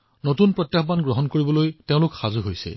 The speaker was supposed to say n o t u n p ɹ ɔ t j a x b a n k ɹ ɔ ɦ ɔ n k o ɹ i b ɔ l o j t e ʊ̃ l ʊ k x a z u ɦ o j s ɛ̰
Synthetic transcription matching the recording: n o t u n p ɹ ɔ t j a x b a n ɡ ɹ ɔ ɦ ɔ n k o ɹ i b ɔ l o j t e ʊ̃ l ʊ k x a z u ɦ o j s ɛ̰